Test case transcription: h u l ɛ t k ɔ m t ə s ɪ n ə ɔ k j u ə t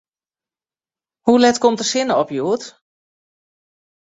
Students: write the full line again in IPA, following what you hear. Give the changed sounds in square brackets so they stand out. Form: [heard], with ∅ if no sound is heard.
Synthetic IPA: h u l ɛ t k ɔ m t ə s ɪ n ə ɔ [p] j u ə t